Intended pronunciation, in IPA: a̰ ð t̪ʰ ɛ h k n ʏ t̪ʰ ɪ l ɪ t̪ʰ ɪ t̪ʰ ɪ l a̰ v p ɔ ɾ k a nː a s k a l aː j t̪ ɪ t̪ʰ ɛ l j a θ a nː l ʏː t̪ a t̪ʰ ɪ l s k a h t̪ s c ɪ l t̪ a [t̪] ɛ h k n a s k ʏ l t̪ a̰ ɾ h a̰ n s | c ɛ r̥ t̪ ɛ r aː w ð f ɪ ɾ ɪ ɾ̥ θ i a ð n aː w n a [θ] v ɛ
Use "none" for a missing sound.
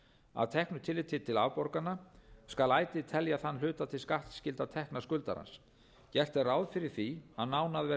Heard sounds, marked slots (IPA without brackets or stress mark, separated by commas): t̪ʰ, ð